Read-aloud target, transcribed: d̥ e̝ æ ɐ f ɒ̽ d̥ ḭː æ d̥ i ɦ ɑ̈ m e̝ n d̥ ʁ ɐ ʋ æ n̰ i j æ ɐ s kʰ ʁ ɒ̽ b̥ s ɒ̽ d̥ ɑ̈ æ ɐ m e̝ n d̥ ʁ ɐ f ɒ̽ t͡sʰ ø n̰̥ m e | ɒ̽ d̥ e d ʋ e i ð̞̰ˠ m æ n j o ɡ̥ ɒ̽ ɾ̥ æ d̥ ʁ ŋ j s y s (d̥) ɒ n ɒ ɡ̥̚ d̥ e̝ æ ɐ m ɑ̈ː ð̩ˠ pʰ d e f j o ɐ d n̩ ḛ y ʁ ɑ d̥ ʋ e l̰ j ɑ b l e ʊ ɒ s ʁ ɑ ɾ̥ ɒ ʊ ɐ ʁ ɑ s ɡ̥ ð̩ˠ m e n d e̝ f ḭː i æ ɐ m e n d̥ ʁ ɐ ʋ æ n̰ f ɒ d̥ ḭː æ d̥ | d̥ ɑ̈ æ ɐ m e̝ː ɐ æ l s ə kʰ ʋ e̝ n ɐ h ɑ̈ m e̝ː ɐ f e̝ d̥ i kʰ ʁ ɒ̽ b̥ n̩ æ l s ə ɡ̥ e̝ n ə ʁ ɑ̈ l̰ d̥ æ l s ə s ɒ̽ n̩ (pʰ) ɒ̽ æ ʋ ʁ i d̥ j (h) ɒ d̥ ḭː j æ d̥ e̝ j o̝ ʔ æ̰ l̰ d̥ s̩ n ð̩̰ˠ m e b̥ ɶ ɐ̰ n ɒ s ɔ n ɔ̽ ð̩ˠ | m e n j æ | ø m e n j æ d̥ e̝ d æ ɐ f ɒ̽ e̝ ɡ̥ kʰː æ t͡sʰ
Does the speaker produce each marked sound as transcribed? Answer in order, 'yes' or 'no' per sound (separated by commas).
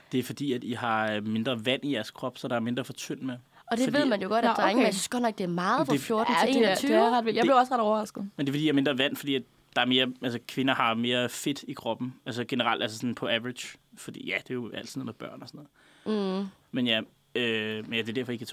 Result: no, yes, no